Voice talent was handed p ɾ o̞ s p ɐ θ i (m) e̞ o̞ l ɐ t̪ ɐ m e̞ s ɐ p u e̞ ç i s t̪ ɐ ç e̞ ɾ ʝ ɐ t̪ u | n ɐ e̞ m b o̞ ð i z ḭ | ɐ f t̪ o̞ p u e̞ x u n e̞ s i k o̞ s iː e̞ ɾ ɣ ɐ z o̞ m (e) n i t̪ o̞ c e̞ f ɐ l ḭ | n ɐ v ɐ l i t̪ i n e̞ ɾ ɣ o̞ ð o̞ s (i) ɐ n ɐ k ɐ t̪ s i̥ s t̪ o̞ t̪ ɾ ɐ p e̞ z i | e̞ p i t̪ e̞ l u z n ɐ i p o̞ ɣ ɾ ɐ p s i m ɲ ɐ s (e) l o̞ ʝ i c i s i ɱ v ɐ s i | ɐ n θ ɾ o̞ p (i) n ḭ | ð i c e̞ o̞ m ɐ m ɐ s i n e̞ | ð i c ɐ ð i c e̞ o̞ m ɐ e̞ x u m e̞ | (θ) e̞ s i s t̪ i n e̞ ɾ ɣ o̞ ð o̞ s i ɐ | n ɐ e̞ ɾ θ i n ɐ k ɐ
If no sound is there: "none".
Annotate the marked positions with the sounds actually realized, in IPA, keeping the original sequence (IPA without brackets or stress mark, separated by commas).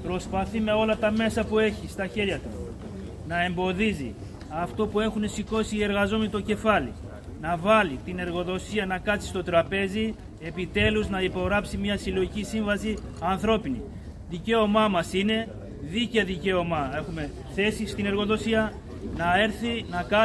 m, e, i, i, i, θ